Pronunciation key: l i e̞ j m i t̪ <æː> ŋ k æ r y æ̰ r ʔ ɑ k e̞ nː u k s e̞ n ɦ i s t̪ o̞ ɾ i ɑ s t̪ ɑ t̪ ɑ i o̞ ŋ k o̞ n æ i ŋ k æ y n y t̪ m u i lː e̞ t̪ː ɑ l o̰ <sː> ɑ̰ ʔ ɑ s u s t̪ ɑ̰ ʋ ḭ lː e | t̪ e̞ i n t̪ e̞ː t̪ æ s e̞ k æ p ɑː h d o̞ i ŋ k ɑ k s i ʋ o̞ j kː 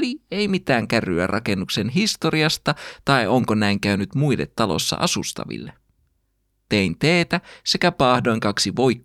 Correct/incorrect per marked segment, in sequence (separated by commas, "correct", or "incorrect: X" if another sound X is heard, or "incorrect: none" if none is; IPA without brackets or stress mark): correct, correct